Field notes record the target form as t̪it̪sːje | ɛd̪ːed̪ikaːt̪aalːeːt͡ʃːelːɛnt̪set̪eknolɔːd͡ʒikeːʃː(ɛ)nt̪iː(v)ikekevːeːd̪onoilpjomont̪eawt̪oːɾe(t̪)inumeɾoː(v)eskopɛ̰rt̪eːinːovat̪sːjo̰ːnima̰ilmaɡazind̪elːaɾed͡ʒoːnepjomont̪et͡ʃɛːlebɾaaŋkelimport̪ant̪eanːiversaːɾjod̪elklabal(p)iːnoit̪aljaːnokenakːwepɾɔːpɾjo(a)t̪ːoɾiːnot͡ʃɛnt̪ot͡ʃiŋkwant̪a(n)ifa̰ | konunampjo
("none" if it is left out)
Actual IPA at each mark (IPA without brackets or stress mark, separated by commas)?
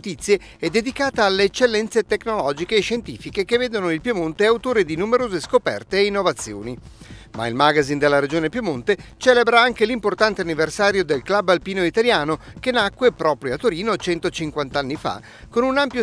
e, f, d̪, z, p, a, nː